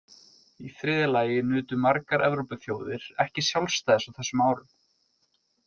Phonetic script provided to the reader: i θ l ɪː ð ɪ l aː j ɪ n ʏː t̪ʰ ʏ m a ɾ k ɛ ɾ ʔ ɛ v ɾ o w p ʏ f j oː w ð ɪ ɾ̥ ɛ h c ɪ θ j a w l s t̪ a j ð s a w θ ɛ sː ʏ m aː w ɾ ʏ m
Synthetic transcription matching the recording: i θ ɾ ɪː ð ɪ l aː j ɪ n ʏː t̪ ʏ m a ɾ k a ɾ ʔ ɛ v ɾ o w p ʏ θ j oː w ð ɪ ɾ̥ ɛ h c ɪ s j a w l s t̪ a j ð s a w θ ɛ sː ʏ m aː w ɾ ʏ m